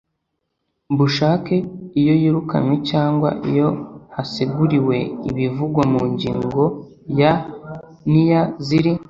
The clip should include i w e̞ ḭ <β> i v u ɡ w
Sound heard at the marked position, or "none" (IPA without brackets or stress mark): β